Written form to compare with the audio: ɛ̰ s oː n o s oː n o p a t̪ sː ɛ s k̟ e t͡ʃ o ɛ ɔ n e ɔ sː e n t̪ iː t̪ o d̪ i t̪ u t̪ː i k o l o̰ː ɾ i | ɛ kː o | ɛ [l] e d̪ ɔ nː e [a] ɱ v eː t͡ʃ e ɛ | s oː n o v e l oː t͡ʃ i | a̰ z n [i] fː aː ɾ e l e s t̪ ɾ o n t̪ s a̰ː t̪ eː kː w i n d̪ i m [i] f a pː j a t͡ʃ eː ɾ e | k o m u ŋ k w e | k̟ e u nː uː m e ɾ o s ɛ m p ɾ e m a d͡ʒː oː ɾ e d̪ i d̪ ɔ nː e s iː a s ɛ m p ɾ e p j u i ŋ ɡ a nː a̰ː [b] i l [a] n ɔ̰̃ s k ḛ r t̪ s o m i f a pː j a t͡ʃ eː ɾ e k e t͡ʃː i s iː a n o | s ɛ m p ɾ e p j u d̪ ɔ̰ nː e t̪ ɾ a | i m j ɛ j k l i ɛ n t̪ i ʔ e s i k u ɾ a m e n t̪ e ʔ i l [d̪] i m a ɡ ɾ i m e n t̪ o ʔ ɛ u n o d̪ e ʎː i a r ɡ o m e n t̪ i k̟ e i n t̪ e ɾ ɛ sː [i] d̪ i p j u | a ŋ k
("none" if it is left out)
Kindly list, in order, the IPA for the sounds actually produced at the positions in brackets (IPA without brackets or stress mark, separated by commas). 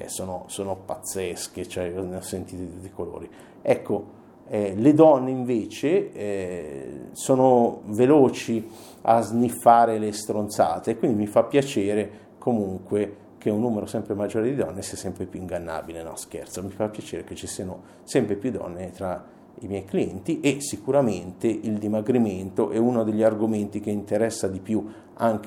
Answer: l, i, i, i, b, e, d̪, a